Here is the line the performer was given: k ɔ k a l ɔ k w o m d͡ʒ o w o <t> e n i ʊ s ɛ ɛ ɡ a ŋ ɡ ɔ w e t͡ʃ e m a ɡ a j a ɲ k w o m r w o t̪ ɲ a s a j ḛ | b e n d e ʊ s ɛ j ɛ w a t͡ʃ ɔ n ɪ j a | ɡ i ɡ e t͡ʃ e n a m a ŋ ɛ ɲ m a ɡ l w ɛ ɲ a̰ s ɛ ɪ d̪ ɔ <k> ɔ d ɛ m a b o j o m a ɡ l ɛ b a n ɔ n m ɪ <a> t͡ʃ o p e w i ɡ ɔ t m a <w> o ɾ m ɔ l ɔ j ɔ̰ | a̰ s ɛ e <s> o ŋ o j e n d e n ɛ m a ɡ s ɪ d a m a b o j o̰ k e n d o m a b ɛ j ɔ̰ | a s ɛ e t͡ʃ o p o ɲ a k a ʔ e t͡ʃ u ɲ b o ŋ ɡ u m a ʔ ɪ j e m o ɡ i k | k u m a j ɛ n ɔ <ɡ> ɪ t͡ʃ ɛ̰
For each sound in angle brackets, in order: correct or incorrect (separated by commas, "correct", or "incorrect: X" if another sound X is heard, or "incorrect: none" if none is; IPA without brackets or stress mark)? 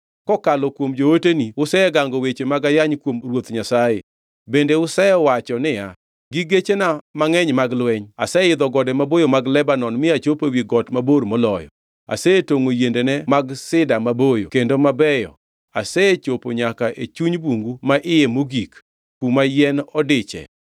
correct, incorrect: ɡ, correct, incorrect: b, incorrect: t, incorrect: d